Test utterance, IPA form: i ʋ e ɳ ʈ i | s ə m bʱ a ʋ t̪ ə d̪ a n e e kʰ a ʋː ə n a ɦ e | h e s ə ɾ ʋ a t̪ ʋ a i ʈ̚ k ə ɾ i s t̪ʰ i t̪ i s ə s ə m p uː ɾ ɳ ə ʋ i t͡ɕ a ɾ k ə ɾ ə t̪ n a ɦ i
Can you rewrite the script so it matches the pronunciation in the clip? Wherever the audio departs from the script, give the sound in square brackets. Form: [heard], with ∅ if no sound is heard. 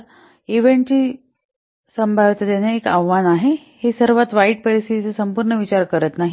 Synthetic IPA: i ʋ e ɳ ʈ i | s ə m bʱ a ʋ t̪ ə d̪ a n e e [k] a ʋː [a] n a ɦ e | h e s ə ɾ ʋ a t̪ ʋ a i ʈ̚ [p] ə ɾ i s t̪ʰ i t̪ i [t͡s] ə s ə m p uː ɾ ɳ ə ʋ i t͡ɕ a ɾ k ə ɾ ə t̪ n a ɦ i